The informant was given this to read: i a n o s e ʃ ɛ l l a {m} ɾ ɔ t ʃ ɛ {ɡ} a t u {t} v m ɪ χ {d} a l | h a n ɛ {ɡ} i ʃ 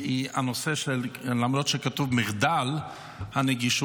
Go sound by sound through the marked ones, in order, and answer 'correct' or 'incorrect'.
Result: correct, incorrect: k, incorrect: none, correct, correct

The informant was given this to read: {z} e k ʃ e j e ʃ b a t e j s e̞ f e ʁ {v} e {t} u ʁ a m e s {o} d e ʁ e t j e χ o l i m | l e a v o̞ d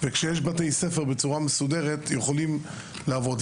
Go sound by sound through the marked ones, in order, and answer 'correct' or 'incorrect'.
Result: incorrect: v, incorrect: b, incorrect: t͡s, incorrect: u

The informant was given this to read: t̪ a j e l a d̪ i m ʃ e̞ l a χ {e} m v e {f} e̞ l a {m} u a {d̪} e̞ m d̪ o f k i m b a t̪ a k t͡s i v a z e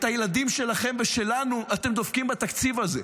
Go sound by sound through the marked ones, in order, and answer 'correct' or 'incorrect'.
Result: correct, incorrect: ʃ, incorrect: n, incorrect: t̪

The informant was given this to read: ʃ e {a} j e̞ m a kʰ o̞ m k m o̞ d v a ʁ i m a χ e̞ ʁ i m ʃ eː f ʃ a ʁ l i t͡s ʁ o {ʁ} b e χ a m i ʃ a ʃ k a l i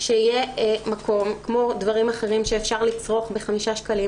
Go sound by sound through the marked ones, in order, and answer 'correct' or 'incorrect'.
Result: incorrect: i, incorrect: χ

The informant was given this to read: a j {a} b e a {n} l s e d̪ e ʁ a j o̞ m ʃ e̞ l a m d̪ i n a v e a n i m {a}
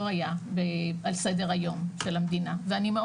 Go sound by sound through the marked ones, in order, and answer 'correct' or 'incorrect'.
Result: correct, incorrect: none, incorrect: e

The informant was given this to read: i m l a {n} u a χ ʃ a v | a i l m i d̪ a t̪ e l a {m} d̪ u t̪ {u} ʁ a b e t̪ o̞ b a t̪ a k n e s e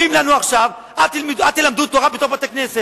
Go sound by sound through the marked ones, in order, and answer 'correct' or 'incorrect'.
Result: correct, correct, incorrect: o

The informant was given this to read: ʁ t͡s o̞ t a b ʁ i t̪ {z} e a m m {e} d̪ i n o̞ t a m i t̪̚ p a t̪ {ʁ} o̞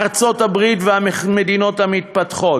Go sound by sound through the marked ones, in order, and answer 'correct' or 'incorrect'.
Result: incorrect: v, correct, incorrect: χ

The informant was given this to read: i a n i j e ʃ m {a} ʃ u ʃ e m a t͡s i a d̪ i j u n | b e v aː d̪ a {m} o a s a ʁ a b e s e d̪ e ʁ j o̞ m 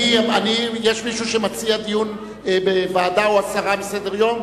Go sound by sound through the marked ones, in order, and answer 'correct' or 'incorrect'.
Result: incorrect: i, incorrect: none

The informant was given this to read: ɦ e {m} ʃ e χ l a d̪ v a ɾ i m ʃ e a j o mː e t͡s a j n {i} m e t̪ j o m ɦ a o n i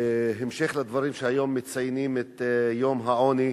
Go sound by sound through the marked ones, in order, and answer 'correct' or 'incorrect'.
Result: correct, correct

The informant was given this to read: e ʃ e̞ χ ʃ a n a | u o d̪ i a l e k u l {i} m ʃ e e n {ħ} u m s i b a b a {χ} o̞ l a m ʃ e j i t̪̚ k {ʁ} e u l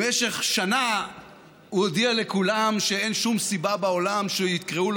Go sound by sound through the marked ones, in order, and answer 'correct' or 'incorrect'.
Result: incorrect: a, incorrect: ʃ, incorrect: none, correct

